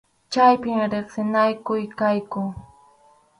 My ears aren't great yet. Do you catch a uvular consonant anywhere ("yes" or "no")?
yes